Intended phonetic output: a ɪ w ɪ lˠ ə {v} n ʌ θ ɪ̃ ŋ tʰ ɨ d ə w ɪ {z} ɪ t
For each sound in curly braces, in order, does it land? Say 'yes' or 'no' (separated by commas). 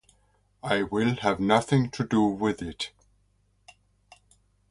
yes, no